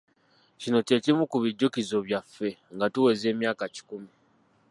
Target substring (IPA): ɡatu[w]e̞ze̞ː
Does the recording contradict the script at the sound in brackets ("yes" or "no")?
no